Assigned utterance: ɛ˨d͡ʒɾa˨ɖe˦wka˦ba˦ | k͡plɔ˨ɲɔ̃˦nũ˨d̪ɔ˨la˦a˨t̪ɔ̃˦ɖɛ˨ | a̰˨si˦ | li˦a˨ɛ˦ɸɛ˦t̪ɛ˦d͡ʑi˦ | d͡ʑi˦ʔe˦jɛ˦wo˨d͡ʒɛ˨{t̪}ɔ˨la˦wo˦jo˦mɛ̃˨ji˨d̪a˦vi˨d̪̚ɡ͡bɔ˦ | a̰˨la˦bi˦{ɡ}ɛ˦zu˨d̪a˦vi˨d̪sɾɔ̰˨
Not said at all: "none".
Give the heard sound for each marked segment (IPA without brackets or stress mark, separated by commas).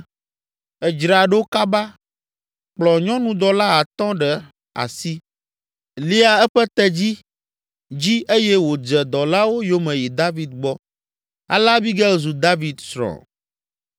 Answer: d̪, ɡ